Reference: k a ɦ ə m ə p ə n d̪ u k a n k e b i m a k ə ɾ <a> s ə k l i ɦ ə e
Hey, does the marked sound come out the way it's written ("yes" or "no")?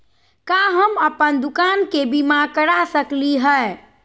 yes